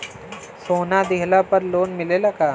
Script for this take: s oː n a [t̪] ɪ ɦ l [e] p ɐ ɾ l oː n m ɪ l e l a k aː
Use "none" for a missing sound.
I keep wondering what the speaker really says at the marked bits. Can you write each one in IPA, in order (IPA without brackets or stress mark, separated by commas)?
d̪, a